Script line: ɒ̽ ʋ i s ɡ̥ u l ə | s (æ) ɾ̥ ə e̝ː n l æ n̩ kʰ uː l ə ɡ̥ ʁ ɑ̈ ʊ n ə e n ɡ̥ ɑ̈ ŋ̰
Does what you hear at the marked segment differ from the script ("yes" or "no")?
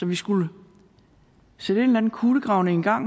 yes